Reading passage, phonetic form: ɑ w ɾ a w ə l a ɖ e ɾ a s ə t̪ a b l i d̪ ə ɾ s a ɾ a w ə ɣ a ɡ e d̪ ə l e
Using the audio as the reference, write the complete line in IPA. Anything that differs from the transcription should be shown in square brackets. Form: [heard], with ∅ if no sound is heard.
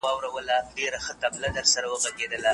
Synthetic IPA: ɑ w ɾ a w ə l a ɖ e ɾ a [x] ə t̪ a b l [a] d̪ ə ɾ s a ɾ a w ə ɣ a ɡ e d̪ ə l [a]